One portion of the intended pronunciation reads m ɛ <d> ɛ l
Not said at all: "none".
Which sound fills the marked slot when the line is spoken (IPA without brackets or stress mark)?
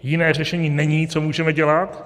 ɟ